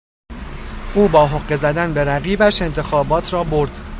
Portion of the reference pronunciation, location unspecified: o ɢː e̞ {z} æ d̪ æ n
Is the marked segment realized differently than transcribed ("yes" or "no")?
no